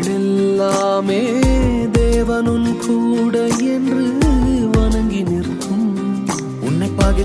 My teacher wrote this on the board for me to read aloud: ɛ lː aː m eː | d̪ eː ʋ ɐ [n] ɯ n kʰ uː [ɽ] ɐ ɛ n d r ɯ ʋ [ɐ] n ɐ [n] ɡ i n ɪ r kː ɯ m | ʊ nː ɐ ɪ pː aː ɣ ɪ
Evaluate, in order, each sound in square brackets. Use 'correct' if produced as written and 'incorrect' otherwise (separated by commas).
correct, correct, correct, incorrect